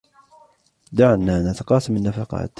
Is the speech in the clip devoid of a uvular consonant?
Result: no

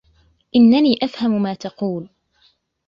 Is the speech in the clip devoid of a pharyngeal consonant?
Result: yes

